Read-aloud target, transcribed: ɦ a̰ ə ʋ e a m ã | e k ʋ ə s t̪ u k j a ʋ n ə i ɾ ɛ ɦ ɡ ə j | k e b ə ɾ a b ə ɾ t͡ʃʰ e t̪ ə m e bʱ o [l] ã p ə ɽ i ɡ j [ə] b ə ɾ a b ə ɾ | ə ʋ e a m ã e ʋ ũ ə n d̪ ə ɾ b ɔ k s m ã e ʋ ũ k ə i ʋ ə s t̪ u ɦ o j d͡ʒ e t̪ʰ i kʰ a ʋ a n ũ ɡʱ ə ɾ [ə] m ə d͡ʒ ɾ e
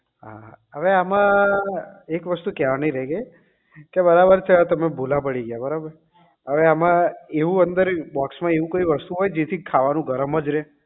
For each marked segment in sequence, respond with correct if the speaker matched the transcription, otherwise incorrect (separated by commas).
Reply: correct, incorrect, correct